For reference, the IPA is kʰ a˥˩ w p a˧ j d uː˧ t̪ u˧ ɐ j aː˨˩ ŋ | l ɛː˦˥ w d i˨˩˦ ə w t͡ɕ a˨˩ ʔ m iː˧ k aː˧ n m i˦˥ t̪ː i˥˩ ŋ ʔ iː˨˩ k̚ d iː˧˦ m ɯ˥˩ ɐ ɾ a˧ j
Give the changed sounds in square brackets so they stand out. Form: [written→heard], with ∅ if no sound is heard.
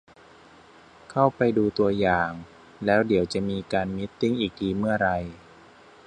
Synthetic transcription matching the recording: kʰ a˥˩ w p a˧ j d uː˧ t̪ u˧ ɐ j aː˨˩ ŋ | l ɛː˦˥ w d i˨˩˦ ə w t͡ɕ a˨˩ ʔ m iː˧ k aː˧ n m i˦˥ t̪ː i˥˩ ŋ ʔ iː˨˩ k̚ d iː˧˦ m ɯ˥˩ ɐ ɾ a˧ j